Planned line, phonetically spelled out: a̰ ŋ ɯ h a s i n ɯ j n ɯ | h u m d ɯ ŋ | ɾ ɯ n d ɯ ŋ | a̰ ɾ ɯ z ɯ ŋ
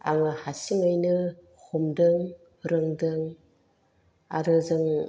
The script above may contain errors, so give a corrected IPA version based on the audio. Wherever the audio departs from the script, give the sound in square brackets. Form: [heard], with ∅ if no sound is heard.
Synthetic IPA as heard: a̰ ŋ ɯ h a s i [ŋ] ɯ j n ɯ | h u m d ɯ ŋ | ɾ ɯ [ŋ] d ɯ ŋ | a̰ ɾ ɯ z ɯ ŋ